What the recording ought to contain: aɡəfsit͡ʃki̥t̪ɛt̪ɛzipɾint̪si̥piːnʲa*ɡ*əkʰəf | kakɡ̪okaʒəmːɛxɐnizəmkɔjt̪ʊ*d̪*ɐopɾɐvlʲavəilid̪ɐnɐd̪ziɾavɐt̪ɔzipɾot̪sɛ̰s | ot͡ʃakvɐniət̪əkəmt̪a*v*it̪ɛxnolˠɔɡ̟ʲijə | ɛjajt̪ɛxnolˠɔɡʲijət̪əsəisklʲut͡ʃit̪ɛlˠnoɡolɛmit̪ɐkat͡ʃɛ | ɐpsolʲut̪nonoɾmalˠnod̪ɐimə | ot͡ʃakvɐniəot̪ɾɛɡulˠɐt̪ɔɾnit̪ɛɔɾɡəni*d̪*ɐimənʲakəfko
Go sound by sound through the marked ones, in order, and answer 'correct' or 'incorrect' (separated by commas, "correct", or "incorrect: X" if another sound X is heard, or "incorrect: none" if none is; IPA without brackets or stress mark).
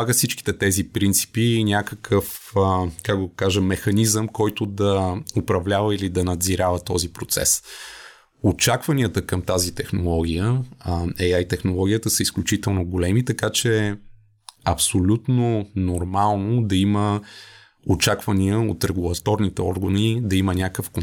incorrect: k, correct, incorrect: z, correct